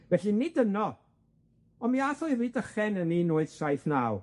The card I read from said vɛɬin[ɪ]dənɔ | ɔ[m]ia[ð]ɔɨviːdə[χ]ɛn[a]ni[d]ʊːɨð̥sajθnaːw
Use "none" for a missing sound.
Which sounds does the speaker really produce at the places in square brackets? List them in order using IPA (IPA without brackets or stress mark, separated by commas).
ɪ, m, θ, χ, ə, n